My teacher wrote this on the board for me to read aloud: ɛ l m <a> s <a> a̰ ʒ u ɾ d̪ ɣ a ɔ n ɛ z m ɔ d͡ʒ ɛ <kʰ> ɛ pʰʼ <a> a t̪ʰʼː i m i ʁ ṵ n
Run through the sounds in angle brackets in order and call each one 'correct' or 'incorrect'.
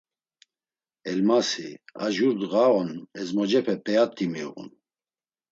correct, incorrect, incorrect, incorrect

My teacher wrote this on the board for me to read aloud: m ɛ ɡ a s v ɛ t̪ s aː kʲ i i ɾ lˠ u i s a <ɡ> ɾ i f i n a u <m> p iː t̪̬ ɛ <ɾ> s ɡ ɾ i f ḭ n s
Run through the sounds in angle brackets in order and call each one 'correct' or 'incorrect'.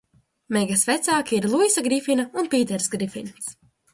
correct, incorrect, correct

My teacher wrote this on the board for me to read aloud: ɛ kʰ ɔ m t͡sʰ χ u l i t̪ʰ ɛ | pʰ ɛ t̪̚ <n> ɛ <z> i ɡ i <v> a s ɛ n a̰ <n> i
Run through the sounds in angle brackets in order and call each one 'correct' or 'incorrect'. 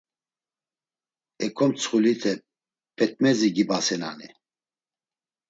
incorrect, correct, incorrect, correct

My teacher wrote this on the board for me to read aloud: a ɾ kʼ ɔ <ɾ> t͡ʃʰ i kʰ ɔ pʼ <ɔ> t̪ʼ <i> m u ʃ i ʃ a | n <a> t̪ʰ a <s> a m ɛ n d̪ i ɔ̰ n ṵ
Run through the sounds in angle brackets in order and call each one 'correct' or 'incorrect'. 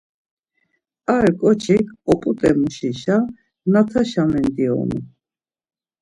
incorrect, incorrect, incorrect, correct, incorrect

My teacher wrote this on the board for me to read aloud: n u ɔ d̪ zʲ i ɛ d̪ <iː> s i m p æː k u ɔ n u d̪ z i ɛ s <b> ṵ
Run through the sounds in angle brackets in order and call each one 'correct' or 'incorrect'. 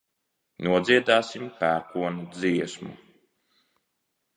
incorrect, incorrect

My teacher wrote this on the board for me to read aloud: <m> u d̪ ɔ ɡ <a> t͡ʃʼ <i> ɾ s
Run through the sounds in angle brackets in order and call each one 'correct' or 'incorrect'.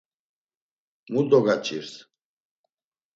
correct, correct, correct

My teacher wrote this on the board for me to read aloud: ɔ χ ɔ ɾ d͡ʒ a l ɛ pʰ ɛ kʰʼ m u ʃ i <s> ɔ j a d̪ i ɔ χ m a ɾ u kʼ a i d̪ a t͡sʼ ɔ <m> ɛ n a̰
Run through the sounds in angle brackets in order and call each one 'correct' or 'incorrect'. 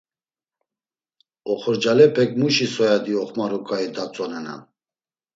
correct, incorrect

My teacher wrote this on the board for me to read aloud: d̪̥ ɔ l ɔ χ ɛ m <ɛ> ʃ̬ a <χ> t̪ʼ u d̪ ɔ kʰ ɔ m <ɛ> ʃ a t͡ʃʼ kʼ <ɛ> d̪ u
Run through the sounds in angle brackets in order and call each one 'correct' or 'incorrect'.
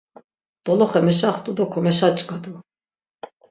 correct, correct, correct, incorrect

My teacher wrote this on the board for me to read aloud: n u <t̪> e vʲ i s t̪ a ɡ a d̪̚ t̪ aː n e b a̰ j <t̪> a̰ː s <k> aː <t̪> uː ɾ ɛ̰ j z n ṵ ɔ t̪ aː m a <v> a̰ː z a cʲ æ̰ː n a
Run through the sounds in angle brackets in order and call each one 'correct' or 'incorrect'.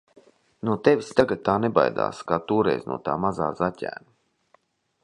correct, incorrect, correct, correct, incorrect

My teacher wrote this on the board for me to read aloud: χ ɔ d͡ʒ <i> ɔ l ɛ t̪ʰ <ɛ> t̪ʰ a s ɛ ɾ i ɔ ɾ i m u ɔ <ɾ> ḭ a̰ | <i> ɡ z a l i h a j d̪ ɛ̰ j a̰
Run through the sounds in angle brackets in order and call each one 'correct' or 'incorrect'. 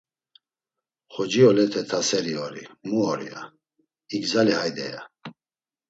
correct, correct, correct, correct

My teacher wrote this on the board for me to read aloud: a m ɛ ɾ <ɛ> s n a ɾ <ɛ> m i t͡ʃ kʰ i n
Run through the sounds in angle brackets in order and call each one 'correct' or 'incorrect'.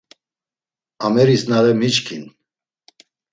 incorrect, correct

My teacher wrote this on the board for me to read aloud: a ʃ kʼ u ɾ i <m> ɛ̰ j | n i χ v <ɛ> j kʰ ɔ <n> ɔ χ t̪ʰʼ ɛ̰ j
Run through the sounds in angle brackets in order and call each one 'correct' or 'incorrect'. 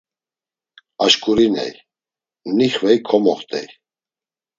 incorrect, correct, incorrect

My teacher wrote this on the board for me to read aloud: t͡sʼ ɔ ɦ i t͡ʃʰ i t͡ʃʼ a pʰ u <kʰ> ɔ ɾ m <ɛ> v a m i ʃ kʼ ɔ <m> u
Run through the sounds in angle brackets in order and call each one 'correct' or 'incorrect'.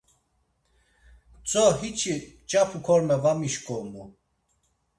correct, correct, correct

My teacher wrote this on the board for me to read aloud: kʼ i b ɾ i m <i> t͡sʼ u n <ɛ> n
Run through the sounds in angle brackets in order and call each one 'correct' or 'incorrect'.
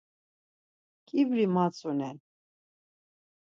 incorrect, correct

